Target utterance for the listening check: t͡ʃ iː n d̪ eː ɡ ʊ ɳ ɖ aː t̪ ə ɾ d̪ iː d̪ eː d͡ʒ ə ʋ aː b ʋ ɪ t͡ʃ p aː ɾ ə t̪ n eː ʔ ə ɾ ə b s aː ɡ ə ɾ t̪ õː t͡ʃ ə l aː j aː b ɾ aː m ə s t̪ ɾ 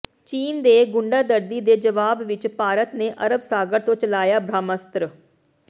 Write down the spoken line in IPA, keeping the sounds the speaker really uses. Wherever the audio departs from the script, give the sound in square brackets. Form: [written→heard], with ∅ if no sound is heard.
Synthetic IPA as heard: t͡ʃ iː n d̪ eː ɡ ʊ ɳ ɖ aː [t̪→d̪] ə ɾ d̪ iː d̪ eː d͡ʒ ə ʋ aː b ʋ ɪ t͡ʃ p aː ɾ ə t̪ n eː ʔ ə ɾ ə b s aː ɡ ə ɾ t̪ õː t͡ʃ ə l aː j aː b ɾ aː m ə s t̪ ɾ